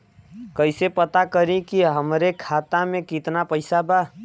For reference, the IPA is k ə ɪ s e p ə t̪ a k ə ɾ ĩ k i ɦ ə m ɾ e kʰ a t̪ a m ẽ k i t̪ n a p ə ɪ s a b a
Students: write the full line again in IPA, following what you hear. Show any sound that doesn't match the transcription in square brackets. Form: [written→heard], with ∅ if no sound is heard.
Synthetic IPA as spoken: k ə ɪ s e p ə t̪ a k ə ɾ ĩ k i ɦ ə m ɾ e kʰ a t̪ a m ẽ k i t̪ n a p ə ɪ s a b a